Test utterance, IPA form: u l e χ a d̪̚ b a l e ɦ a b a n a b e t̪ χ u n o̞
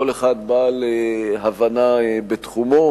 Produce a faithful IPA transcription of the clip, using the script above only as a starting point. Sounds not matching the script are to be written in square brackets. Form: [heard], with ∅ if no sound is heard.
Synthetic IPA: [o] l e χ a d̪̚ b a l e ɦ a [v] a n a b e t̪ χ u [m] o̞